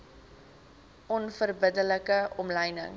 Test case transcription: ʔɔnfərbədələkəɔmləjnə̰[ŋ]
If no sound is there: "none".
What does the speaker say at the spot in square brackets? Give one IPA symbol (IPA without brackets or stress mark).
ŋ